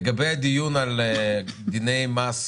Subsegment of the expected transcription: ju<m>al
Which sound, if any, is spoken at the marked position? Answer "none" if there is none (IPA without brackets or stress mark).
n